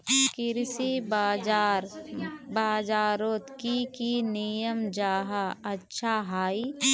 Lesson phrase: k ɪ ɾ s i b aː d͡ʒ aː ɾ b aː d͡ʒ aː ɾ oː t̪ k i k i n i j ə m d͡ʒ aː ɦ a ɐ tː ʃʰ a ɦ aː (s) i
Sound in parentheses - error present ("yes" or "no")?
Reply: yes